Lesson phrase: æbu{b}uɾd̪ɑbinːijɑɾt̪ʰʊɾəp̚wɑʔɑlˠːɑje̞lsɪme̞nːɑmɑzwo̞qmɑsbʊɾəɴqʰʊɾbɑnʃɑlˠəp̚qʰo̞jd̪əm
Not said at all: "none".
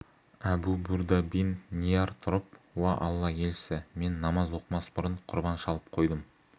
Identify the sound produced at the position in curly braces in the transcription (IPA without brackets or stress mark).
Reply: b